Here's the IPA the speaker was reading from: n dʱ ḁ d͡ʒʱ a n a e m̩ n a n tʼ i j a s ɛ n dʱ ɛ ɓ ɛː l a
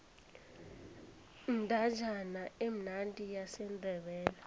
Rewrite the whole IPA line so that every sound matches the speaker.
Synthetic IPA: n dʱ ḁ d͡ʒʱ a n a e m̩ n a n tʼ i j a s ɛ n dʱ ɛ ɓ ɛː l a